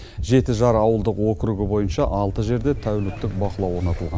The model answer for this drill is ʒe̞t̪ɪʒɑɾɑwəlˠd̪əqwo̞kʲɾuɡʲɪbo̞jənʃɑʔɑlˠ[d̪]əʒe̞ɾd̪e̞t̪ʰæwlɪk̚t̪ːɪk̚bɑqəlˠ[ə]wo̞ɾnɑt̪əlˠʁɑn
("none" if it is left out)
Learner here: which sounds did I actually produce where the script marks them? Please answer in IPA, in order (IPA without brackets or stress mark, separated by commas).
t̪, ɑ